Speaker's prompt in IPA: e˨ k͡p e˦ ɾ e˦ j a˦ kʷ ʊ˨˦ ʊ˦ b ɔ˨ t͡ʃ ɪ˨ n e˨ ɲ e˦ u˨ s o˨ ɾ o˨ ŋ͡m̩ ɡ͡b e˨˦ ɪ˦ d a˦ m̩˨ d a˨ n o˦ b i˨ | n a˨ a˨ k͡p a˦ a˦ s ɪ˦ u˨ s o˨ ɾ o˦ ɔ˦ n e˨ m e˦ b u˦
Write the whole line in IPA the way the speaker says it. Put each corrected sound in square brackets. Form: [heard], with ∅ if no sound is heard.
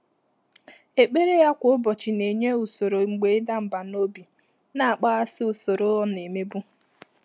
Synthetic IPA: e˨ k͡p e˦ ɾ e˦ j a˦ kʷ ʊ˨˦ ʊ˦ b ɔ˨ t͡ʃ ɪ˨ n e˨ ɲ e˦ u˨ s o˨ ɾ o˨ ŋ͡m̩ ɡ͡b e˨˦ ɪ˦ d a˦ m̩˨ [b] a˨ n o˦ b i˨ | n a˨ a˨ k͡p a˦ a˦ s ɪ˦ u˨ s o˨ ɾ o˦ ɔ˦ n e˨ m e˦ b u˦